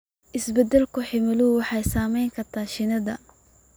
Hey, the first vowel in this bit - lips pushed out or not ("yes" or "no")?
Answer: no